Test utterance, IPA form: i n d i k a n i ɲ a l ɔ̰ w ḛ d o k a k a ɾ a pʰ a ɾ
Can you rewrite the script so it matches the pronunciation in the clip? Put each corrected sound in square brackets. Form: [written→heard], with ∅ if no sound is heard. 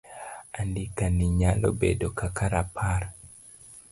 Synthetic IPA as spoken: [i→a] n d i k a n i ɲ a l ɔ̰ [w→b] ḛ d o k a k a ɾ a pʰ a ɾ